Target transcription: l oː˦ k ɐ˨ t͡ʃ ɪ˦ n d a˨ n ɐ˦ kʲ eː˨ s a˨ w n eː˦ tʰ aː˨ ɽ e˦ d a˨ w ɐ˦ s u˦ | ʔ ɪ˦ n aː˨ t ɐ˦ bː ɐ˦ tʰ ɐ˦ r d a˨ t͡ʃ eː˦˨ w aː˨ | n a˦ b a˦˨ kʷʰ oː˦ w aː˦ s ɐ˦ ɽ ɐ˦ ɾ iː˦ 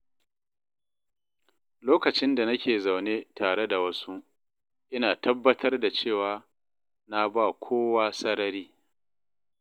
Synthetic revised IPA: l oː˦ k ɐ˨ t͡ʃ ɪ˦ n d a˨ n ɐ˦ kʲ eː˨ z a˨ w n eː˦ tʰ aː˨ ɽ e˦ d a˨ w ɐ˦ s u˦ | ʔ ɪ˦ n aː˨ t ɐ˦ bː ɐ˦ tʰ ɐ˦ r d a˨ t͡ʃ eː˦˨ w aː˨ | n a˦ b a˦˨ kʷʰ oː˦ w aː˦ s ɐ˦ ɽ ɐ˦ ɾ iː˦